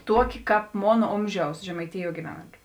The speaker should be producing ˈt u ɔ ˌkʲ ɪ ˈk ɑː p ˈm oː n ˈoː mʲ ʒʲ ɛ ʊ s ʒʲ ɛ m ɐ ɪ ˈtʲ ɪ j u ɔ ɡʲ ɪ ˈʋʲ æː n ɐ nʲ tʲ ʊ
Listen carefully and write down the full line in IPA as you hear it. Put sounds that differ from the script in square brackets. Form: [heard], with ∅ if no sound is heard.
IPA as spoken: ˈt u ɔ ˌkʲ ɪ ˈk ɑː p ˈm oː n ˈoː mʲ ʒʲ ɛ ʊ s ʒʲ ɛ m ɐ ɪ ˈtʲ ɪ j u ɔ ɡʲ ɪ ˈʋʲ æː n ɐ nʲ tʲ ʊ